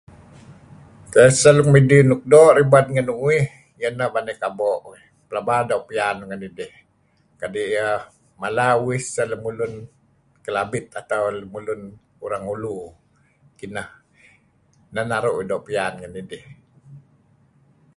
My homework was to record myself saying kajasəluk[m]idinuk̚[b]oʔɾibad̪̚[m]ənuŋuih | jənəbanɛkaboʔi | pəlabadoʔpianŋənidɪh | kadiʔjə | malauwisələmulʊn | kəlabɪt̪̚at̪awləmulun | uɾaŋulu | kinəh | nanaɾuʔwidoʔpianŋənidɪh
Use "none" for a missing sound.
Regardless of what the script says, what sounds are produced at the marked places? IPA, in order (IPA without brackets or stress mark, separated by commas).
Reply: m, d, ŋ